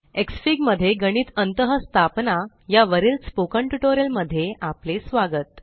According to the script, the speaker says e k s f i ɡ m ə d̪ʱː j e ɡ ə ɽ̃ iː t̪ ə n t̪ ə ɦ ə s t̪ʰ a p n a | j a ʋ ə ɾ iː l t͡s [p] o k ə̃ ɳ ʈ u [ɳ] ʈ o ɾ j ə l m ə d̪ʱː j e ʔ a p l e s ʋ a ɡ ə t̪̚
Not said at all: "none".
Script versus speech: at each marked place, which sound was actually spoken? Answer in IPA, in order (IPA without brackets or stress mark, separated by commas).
p, none